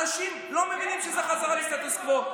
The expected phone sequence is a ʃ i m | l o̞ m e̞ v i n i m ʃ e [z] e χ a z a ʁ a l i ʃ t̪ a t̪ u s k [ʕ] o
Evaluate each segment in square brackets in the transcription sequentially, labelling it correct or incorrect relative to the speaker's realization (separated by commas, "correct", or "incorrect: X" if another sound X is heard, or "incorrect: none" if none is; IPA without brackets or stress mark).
correct, incorrect: v